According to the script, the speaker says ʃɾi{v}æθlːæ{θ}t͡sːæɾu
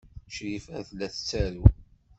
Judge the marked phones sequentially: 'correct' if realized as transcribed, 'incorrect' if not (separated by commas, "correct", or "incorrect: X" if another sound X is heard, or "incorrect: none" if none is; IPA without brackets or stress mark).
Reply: incorrect: f, correct